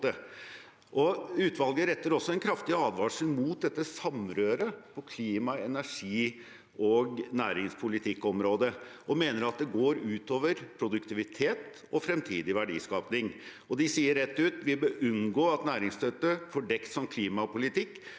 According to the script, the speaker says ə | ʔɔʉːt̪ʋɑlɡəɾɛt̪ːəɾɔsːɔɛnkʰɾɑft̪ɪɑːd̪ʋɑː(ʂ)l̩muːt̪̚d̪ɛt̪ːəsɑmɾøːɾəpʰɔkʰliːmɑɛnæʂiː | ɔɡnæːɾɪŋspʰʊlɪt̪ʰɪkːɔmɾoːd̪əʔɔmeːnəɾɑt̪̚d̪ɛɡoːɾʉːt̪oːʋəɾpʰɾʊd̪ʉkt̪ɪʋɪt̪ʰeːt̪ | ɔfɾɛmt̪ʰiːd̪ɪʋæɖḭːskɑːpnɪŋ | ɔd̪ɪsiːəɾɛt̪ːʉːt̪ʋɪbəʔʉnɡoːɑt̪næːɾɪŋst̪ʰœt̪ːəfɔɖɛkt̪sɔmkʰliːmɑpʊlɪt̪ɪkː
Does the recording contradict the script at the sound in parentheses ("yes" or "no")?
no